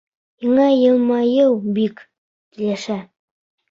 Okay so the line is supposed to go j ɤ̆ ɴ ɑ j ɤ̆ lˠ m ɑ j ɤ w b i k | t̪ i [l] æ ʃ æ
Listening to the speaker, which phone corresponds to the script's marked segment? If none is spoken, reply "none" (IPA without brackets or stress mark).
l